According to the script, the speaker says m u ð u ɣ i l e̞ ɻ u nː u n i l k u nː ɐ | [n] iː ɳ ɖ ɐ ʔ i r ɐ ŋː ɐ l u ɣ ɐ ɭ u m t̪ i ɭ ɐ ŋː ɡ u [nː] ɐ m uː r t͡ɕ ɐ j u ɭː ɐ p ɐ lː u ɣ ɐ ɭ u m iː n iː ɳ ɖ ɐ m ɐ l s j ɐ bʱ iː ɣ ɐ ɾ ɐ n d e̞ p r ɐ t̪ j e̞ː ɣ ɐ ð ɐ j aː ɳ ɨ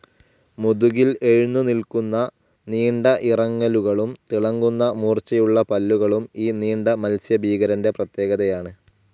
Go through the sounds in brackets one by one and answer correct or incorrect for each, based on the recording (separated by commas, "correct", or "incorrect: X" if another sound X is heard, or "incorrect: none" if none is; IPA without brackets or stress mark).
correct, correct